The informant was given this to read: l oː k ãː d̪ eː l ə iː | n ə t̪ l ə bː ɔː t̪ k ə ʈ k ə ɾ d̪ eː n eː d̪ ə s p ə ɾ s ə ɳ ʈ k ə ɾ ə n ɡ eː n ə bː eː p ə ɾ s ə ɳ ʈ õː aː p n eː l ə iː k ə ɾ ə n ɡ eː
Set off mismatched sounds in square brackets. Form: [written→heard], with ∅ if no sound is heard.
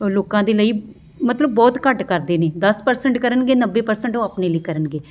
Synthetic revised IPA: l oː k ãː d̪ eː l ə iː | [n→m] ə t̪ l ə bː ɔː t̪ k ə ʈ k ə ɾ d̪ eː n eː d̪ ə s p ə ɾ s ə ɳ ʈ k ə ɾ ə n ɡ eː n ə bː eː p ə ɾ s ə ɳ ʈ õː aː p n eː l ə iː k ə ɾ ə n ɡ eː

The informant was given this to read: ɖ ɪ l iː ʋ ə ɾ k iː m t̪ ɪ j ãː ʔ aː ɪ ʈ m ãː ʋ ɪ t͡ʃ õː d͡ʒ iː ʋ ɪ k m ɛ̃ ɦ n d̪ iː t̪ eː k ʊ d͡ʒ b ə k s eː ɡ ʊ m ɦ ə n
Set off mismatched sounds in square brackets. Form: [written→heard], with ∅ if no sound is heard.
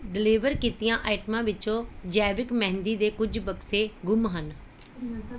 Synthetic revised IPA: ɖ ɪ l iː ʋ ə ɾ k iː [m→∅] t̪ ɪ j ãː ʔ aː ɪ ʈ m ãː ʋ ɪ t͡ʃ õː d͡ʒ [iː→ɛː] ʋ ɪ k m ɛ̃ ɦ n d̪ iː [t̪→d̪] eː k ʊ d͡ʒ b ə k s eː ɡ ʊ m ɦ ə n

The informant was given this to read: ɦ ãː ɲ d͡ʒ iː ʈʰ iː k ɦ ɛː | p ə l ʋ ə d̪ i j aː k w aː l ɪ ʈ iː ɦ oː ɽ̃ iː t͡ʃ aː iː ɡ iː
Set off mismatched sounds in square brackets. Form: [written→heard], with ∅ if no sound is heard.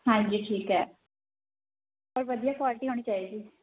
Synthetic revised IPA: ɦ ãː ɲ d͡ʒ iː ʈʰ iː k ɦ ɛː | p ə [l→ɾ] ʋ ə d̪ i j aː k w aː l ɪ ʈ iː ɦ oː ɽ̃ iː t͡ʃ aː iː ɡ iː

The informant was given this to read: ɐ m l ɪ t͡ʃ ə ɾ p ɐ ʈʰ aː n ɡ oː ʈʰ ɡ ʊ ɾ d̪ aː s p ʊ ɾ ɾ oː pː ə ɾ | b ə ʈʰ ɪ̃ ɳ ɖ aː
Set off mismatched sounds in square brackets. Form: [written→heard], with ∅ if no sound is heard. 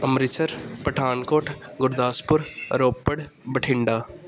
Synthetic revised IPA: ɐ m [l→ɾ] ɪ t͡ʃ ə ɾ p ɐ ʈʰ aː n [ɡ→k] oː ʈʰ ɡ ʊ ɾ d̪ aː s p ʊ ɾ ɾ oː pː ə [ɾ→ɽ] | b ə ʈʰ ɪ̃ ɳ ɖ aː

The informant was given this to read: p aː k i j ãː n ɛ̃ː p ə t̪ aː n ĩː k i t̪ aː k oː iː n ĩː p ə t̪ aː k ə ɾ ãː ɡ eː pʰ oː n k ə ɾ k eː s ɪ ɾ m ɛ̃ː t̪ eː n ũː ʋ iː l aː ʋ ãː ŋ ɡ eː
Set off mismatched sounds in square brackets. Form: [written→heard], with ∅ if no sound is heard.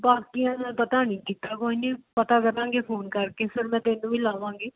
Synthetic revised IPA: [p→b] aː k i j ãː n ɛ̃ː p ə t̪ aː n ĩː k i t̪ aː k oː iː n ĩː p ə t̪ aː k ə ɾ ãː ɡ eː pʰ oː n k ə ɾ k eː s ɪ ɾ m ɛ̃ː t̪ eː n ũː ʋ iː l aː ʋ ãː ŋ ɡ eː

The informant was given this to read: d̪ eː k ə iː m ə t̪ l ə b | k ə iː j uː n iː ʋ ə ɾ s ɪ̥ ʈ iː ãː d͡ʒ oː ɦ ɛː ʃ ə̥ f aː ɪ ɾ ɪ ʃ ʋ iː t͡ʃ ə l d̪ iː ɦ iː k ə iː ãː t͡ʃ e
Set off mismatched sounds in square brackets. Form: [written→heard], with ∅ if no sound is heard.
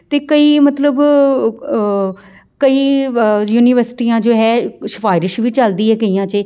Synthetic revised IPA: [d̪→t̪] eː k ə iː m ə t̪ l ə b | k ə iː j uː n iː ʋ ə ɾ s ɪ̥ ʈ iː ãː d͡ʒ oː ɦ ɛː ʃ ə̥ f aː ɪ ɾ ɪ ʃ ʋ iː t͡ʃ ə l d̪ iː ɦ [iː→ɛː] k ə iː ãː t͡ʃ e

